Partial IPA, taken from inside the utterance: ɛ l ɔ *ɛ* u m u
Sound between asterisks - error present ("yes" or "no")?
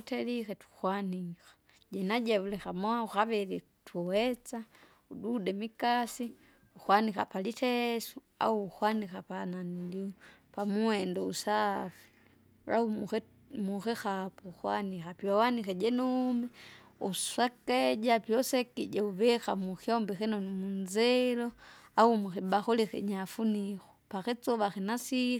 yes